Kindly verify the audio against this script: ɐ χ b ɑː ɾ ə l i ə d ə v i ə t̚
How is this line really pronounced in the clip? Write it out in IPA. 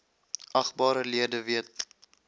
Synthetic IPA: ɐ χ b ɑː ɾ ə l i ə d ə v i ə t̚